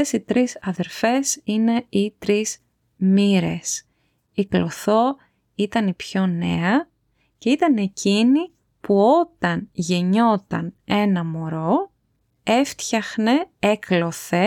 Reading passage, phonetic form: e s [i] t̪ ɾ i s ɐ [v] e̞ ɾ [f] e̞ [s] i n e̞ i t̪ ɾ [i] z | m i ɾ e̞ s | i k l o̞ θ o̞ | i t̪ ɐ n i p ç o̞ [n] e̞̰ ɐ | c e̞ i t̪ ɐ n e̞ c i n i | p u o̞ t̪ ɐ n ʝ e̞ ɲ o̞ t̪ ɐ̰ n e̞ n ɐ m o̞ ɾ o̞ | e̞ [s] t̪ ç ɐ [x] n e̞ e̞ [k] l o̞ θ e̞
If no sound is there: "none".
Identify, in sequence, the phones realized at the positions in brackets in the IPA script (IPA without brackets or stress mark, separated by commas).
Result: i, ð, f, s, i, n, f, x, k